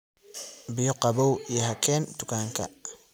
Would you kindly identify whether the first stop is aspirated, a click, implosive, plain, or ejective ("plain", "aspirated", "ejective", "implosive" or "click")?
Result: plain